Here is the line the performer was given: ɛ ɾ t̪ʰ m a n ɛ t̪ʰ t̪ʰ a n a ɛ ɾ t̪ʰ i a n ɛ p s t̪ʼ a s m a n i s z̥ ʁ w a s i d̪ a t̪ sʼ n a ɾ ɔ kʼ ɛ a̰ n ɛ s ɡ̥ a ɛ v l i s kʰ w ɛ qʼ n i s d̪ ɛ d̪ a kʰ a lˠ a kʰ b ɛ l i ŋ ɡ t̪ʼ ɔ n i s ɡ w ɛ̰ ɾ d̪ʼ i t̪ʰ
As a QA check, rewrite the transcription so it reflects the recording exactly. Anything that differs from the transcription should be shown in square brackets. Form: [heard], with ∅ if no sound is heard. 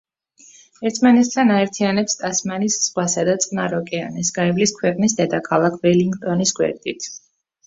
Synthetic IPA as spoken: ɛ ɾ t̪ʰ m a n ɛ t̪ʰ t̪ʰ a n a ɛ ɾ t̪ʰ i a n ɛ p s t̪ʼ a s m a n i s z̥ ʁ w a s [a] d̪ a t̪ sʼ n a ɾ ɔ kʼ ɛ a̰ n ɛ s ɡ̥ a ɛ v l i s kʰ w ɛ qʼ n i s d̪ ɛ d̪ a kʰ a lˠ a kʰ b ɛ l i ŋ ɡ t̪ʼ ɔ n i s ɡ w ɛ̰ ɾ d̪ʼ i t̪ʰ